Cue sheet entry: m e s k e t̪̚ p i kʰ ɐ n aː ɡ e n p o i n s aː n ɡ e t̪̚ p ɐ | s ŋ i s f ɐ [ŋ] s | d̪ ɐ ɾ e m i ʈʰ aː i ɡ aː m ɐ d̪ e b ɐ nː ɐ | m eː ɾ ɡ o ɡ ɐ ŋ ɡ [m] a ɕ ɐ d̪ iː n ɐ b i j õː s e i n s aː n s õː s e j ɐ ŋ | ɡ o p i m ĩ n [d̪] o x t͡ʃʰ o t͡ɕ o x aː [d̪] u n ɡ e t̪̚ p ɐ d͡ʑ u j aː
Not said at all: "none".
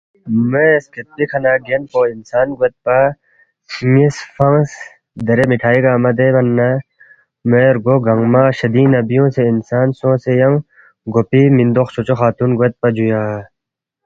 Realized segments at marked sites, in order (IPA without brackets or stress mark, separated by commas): ŋ, m, d̪, t̪